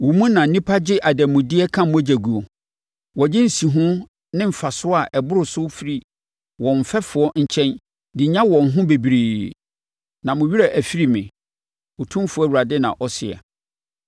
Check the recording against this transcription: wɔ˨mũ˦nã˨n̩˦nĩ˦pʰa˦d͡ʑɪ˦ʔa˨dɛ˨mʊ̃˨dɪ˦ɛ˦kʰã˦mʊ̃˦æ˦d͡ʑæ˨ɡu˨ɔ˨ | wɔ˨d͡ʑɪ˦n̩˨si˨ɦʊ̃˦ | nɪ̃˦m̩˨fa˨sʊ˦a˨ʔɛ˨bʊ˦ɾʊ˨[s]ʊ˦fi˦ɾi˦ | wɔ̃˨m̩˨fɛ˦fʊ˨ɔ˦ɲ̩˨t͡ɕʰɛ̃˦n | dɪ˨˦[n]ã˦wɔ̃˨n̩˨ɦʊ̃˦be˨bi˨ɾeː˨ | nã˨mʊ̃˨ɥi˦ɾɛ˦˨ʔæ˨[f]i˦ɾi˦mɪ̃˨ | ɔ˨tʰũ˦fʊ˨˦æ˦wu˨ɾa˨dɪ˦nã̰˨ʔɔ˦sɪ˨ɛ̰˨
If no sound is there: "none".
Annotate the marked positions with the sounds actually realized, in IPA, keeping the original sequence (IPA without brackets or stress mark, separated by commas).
s, ɲ, f